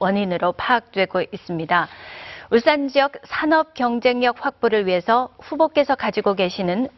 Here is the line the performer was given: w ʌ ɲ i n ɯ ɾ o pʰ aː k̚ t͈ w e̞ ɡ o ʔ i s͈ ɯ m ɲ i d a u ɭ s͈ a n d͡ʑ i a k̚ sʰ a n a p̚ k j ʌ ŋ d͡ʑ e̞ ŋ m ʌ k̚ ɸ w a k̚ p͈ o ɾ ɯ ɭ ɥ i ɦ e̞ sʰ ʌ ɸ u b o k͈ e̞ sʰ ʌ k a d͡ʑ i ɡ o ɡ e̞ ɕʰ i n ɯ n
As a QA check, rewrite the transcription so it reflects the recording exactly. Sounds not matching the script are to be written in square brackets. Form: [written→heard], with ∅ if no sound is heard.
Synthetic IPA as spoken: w ʌ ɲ i n ɯ ɾ o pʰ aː k̚ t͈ w e̞ ɡ o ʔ i s͈ ɯ m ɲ i d a u ɭ s͈ a n d͡ʑ i [a→ʌ] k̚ sʰ a n [a→ʌ] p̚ k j ʌ ŋ d͡ʑ e̞ ŋ [m→ɲ] ʌ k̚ ɸ w a k̚ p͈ o ɾ ɯ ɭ ɥ i ɦ e̞ sʰ ʌ ɸ u b o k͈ e̞ sʰ ʌ k a d͡ʑ i ɡ o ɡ e̞ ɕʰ i n ɯ n